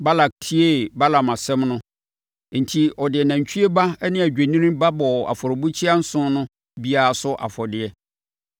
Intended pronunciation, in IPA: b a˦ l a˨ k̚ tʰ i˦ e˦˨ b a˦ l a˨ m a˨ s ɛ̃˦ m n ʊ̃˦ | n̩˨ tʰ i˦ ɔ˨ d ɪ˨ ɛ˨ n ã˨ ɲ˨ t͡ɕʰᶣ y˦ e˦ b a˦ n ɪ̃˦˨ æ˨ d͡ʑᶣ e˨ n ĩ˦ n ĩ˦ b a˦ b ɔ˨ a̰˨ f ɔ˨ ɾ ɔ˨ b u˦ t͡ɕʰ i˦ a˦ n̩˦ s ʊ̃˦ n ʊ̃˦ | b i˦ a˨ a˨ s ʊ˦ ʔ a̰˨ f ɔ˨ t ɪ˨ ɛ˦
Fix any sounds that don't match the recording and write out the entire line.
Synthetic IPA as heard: b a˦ l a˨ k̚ tʰ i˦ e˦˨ b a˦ l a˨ m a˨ s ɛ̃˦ m n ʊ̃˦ | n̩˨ tʰ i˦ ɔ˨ d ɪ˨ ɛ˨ n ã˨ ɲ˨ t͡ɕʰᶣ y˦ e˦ b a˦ n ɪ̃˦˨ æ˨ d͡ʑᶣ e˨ n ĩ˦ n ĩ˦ b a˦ b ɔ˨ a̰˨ f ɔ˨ ɾ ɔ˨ b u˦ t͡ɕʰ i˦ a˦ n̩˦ s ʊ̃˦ n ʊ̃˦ | b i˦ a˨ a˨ s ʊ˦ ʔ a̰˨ f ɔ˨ d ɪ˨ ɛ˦